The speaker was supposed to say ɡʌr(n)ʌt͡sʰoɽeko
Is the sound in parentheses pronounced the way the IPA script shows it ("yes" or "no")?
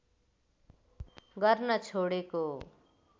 yes